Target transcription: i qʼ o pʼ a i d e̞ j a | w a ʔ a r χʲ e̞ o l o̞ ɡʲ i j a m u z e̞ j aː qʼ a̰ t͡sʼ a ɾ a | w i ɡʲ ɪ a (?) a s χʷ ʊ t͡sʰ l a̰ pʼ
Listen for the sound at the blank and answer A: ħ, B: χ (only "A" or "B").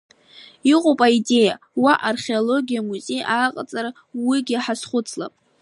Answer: A